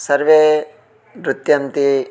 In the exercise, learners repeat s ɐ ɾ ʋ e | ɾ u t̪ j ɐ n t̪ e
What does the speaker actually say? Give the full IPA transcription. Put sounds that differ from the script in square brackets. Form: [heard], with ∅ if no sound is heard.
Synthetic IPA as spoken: s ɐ ɾ ʋ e | ɾ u t̪ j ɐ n t̪ [i]